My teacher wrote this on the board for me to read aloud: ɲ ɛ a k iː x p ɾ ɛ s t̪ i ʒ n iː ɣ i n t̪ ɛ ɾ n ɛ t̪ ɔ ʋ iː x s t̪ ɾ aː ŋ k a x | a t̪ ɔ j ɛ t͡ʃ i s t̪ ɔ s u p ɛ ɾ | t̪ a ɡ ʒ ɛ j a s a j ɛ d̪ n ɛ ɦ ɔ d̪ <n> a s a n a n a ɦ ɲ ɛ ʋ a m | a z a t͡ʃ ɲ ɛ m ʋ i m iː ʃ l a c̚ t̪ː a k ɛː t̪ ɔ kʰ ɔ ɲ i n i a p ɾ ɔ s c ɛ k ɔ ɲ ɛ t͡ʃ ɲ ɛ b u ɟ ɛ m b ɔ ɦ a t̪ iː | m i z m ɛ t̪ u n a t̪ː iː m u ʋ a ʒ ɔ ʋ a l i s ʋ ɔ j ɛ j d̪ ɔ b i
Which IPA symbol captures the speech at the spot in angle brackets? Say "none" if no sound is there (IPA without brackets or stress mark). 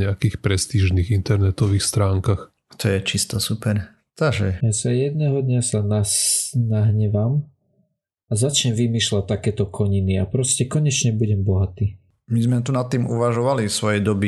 ɲ